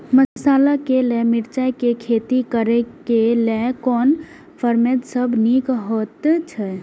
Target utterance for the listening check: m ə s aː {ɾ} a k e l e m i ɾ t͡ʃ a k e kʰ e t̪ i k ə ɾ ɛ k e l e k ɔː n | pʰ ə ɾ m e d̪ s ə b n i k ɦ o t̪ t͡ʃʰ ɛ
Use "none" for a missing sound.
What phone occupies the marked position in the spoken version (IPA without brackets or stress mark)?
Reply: l